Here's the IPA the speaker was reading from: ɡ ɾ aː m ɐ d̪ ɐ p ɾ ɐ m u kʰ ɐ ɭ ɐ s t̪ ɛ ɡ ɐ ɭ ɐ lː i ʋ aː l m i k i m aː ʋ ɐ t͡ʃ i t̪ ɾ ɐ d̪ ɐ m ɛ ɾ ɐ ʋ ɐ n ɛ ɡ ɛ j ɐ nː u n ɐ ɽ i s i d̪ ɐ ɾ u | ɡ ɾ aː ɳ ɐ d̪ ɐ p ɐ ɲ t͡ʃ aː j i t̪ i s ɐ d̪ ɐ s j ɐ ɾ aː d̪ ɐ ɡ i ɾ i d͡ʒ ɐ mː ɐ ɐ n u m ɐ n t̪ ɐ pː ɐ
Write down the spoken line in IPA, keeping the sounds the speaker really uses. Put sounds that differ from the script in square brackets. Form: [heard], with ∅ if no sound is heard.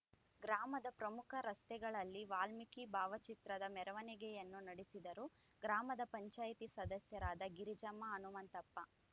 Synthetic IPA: ɡ ɾ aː m ɐ d̪ ɐ p ɾ ɐ m u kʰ ɐ [ɾ] ɐ s t̪ ɛ ɡ ɐ ɭ ɐ lː i ʋ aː l m i k i [b] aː ʋ ɐ t͡ʃ i t̪ ɾ ɐ d̪ ɐ m ɛ ɾ ɐ ʋ ɐ n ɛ ɡ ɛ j ɐ nː u n ɐ ɽ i s i d̪ ɐ ɾ u | ɡ ɾ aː [m] ɐ d̪ ɐ p ɐ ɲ t͡ʃ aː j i t̪ i s ɐ d̪ ɐ s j ɐ ɾ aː d̪ ɐ ɡ i ɾ i d͡ʒ ɐ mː ɐ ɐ n u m ɐ n t̪ ɐ pː ɐ